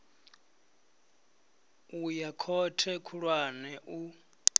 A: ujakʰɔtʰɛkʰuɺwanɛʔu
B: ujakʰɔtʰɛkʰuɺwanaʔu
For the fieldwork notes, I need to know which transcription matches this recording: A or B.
A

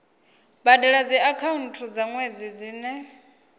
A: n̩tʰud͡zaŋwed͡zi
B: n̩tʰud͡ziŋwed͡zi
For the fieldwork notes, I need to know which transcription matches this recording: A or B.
A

